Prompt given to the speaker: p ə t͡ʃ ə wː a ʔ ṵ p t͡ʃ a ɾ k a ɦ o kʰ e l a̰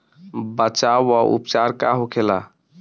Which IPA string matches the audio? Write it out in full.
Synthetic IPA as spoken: b ə t͡ʃ a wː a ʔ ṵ p t͡ʃ a ɾ k a ɦ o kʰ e l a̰